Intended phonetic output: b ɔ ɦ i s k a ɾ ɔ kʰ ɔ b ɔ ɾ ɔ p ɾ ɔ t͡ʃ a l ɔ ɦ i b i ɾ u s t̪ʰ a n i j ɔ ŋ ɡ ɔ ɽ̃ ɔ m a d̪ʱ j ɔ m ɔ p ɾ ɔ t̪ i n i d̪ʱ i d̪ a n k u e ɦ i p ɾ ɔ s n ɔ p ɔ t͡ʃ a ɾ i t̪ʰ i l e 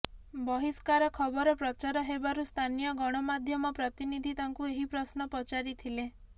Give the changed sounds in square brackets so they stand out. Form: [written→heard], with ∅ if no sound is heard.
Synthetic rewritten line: b ɔ ɦ i s k a ɾ ɔ kʰ ɔ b ɔ ɾ ɔ p ɾ ɔ t͡ʃ a [l→ɾ] ɔ ɦ [i→e] b [i→a] ɾ u s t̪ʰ a n i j ɔ [ŋ→∅] ɡ ɔ ɽ̃ ɔ m a d̪ʱ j ɔ m ɔ p ɾ ɔ t̪ i n i d̪ʱ i [d̪→t̪] a [n→ŋ] k u e ɦ i p ɾ ɔ s n ɔ p ɔ t͡ʃ a ɾ i t̪ʰ i l e